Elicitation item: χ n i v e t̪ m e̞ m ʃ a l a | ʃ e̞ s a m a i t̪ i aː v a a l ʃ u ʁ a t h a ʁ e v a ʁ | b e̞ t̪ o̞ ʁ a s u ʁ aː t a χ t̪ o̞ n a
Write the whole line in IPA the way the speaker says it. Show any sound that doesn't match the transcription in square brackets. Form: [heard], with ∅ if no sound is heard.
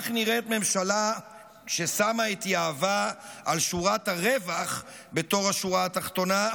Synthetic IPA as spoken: χ n i [ʁ] e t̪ m e̞ m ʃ a l a | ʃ e̞ s a m a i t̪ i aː v a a l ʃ u ʁ a t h a ʁ e v a [χ] | b e̞ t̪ o̞ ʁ a [ʃ] u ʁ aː t a χ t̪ o̞ n a